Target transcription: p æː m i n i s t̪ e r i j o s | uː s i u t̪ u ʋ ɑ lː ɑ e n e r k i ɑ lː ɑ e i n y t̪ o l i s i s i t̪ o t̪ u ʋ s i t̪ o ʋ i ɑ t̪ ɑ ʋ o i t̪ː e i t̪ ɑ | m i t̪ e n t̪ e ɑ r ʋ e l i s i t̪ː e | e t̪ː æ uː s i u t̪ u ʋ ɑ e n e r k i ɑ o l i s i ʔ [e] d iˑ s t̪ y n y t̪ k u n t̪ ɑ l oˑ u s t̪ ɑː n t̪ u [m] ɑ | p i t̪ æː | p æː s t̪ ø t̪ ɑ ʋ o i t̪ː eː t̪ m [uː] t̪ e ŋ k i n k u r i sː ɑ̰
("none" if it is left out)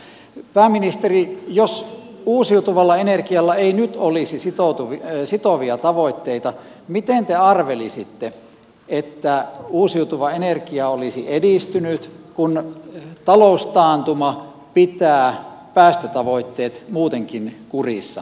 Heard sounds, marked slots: e, m, uː

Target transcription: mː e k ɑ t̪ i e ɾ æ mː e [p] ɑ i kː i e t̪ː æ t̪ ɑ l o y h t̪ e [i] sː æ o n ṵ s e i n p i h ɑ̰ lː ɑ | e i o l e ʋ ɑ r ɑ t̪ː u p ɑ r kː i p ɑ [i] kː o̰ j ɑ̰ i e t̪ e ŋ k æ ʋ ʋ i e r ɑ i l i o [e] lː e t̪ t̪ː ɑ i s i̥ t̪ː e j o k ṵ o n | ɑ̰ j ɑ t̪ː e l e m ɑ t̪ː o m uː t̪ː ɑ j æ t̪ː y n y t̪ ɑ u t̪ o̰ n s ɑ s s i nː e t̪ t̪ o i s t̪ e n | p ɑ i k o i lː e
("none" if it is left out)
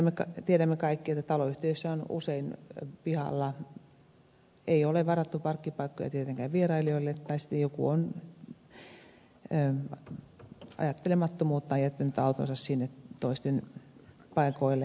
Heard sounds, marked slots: k, y, i, i

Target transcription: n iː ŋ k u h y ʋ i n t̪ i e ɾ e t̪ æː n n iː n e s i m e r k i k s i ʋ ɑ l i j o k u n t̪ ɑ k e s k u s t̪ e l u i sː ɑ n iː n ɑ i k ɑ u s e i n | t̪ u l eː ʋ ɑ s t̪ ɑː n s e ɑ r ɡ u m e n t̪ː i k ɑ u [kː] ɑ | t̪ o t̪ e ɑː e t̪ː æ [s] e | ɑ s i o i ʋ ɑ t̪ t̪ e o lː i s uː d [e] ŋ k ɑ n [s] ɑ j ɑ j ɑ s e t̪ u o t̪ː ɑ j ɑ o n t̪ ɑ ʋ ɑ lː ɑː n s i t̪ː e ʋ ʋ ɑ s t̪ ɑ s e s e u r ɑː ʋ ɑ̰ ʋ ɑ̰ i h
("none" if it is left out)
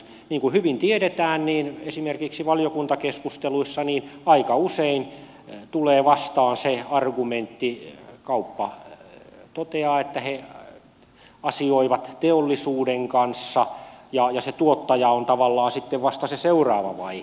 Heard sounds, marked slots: pː, h, e, sː

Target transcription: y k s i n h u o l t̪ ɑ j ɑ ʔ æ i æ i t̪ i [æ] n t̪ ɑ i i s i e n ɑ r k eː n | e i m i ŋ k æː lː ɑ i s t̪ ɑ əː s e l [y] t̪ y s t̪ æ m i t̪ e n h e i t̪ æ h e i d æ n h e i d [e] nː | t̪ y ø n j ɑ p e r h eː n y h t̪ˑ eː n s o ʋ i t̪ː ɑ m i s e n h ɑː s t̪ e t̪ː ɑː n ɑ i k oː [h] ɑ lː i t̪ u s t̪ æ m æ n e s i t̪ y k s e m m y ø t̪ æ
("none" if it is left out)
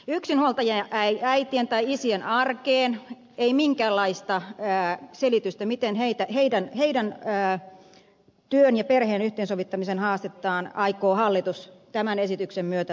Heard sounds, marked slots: e, i, æ, h

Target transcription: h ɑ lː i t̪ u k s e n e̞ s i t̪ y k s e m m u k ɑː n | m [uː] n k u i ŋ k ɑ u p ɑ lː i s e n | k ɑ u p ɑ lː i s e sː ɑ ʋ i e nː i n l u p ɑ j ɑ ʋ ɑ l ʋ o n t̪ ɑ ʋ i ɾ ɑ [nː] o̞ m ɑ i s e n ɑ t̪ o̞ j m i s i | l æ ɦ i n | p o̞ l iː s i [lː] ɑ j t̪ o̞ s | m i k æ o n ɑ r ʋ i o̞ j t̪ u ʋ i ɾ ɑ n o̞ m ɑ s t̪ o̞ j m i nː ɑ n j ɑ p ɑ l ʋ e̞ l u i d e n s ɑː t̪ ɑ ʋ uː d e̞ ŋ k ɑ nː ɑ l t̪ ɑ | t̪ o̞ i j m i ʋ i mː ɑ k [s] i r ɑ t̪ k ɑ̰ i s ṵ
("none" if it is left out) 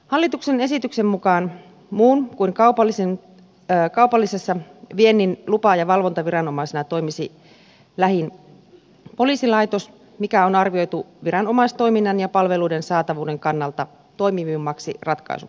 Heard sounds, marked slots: uː, n, l, s

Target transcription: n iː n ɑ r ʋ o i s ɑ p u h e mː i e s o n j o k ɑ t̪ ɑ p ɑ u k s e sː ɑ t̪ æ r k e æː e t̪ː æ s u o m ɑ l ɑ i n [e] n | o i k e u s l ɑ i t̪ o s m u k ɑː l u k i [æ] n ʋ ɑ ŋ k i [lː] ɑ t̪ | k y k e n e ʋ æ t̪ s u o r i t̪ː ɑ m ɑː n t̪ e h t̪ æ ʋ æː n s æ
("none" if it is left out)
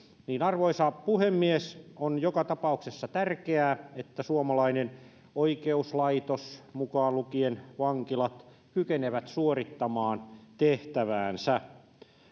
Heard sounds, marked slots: e, e, l

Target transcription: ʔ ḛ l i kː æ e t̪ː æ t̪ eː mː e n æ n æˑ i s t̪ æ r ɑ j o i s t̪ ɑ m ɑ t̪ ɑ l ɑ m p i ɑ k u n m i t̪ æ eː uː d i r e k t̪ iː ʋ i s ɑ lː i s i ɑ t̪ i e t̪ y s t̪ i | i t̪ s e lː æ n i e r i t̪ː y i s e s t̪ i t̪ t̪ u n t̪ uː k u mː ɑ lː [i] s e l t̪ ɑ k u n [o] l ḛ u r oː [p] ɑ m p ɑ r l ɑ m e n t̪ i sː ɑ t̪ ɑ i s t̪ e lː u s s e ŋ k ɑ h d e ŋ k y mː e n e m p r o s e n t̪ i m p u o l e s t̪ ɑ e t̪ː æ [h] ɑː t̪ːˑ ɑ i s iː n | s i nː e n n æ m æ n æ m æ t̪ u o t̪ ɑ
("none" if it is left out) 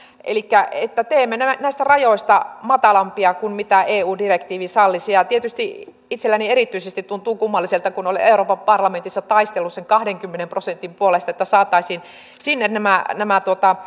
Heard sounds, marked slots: i, o, p, s

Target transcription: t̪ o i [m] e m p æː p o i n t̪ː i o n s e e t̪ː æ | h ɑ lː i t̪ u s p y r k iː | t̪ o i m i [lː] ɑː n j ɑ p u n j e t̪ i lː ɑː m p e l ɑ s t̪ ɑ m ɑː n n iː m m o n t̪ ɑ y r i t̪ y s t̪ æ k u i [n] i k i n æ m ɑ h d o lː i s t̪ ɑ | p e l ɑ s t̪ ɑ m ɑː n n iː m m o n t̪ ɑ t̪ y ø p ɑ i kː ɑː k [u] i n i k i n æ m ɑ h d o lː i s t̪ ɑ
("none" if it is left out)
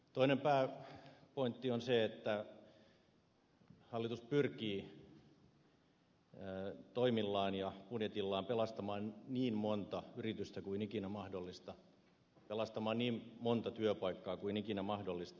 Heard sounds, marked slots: n, lː, n, u

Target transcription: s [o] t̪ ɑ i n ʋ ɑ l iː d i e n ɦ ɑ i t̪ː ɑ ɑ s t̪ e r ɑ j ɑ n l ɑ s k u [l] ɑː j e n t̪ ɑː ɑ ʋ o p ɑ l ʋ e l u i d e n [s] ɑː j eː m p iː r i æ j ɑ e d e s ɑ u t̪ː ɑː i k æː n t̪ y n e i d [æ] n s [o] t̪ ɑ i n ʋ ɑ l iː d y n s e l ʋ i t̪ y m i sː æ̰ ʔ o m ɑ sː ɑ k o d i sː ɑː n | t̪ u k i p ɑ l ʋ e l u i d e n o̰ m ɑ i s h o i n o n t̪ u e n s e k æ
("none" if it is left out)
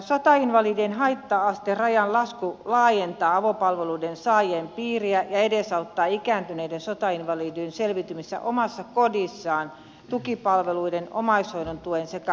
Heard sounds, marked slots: o, l, s, e, o

